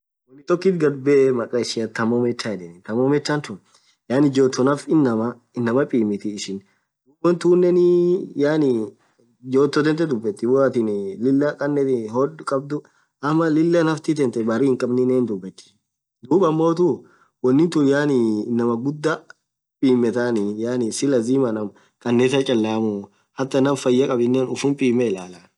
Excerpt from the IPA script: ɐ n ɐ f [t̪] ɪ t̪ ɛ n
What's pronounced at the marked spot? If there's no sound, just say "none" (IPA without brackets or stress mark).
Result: t̪